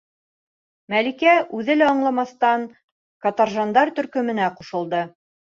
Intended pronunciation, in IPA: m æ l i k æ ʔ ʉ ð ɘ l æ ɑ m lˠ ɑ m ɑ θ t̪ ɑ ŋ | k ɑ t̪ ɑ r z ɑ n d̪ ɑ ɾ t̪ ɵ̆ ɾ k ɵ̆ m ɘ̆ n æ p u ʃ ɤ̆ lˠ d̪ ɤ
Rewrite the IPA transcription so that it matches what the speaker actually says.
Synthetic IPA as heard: m æ l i k æ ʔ ʉ ð ɘ l æ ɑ ɴ lˠ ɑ m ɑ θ t̪ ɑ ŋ | k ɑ t̪ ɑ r ʒ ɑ n d̪ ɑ ɾ t̪ ɵ̆ ɾ k ɵ̆ m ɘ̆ n æ q u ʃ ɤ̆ lˠ d̪ ɤ

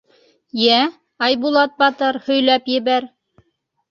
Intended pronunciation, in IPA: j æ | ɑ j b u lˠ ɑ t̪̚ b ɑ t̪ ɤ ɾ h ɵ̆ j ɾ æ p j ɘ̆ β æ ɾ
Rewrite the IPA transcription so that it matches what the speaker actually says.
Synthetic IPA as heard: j æ | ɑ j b u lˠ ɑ t̪̚ b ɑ t̪ ɤ ɾ h ɵ̆ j l æ p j ɘ̆ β æ ɾ

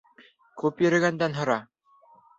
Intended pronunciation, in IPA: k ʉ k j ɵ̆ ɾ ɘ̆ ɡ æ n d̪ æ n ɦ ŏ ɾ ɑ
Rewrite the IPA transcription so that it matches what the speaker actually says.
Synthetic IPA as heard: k ʉ p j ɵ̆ ɾ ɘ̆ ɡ æ n d̪ æ n ɦ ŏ ɾ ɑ

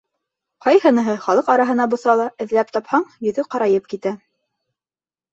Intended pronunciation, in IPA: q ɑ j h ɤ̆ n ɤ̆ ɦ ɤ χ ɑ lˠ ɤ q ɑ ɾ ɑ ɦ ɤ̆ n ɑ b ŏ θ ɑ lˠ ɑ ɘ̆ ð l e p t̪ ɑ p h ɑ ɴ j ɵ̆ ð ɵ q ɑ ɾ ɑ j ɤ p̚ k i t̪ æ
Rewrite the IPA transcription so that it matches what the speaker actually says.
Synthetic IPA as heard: q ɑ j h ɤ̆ n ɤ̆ ɦ ɤ χ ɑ lˠ ɤ q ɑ ɾ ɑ ɦ ɤ̆ n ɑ b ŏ θ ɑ lˠ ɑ ɘ̆ ð l æ p t̪ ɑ p h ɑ ɴ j ɵ̆ ð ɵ q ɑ ɾ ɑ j ɤ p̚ k i t̪ æ

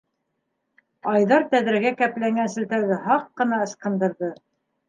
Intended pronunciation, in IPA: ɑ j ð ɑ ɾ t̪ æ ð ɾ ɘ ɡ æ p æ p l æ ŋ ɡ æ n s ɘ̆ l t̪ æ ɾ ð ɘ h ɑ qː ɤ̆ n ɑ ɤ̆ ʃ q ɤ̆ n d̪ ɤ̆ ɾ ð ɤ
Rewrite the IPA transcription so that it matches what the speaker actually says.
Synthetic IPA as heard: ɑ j ð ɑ ɾ t̪ æ ð ɾ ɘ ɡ æ k æ p l æ ŋ ɡ æ n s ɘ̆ l t̪ æ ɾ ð ɘ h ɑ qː ɤ̆ n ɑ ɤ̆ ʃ q ɤ̆ n d̪ ɤ̆ ɾ ð ɤ

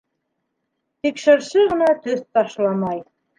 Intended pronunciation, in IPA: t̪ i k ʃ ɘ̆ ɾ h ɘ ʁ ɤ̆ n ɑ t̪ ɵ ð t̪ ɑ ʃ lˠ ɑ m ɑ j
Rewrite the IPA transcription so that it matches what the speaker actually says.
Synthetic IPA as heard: t̪ i k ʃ ɘ̆ ɾ ʃ ɘ ʁ ɤ̆ n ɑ t̪ ɵ θ t̪ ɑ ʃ lˠ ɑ m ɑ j

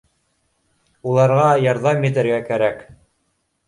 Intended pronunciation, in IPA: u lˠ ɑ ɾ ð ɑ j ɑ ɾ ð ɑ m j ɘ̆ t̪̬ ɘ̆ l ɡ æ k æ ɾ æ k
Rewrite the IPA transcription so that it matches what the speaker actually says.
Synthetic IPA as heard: u lˠ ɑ ɾ ʁ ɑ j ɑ ɾ ð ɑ m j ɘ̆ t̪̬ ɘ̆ ɾ ɡ æ k æ ɾ æ k

